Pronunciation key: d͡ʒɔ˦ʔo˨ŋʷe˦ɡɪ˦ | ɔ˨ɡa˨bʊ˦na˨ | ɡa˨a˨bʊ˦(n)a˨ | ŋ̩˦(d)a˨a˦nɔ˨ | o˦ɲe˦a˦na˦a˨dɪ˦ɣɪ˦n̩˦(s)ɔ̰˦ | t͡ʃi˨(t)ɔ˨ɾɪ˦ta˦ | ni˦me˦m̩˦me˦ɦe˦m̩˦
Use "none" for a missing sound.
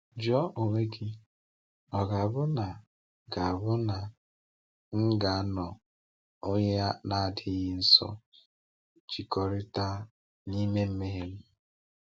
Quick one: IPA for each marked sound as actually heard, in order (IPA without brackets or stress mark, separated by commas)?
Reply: n, ɡ, s, k